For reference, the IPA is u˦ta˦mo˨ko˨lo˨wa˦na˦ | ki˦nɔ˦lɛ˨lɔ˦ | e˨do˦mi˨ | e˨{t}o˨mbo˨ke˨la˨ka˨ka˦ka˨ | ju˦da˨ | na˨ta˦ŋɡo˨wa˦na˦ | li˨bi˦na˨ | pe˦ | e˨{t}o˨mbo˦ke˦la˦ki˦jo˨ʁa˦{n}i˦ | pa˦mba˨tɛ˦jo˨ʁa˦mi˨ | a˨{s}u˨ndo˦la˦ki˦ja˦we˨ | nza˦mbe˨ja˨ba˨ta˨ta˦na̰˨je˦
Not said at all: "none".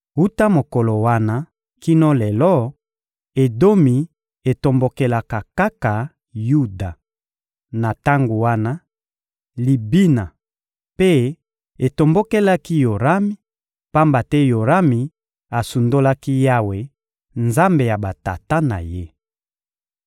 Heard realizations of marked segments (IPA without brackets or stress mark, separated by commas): t, t, m, s